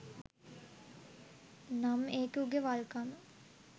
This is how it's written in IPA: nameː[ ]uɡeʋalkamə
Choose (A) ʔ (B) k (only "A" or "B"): B